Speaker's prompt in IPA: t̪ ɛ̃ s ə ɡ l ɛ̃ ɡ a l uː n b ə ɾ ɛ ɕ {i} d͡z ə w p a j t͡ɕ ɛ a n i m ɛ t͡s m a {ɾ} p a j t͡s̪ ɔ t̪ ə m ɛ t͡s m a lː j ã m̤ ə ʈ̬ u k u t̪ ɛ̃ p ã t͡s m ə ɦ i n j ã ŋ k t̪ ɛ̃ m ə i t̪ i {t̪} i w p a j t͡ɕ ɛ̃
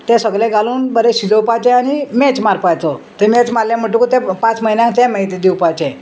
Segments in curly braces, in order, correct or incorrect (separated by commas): correct, correct, incorrect